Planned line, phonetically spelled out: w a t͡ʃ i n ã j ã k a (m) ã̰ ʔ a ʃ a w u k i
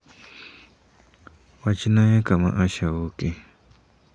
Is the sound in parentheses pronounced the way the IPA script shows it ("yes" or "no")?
yes